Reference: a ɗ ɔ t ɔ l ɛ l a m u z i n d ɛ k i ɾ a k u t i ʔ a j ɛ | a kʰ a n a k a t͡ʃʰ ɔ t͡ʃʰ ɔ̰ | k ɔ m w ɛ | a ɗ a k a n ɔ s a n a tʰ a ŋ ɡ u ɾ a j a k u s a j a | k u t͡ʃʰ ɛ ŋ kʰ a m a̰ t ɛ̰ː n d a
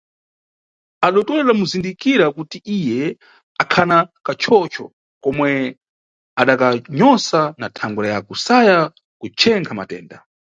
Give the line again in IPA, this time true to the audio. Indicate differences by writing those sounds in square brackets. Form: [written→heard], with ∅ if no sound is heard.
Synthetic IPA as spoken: a ɗ ɔ t ɔ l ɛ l a m u z i n d [ɛ→i] k i ɾ a k u t i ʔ [a→i] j ɛ | a kʰ a n a k a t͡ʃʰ ɔ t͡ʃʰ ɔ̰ | k ɔ m w ɛ | a ɗ a k a [n→ɲ] ɔ s a n a tʰ a ŋ ɡ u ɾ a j a k u s a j a | k u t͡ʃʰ ɛ ŋ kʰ a m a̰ t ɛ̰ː n d a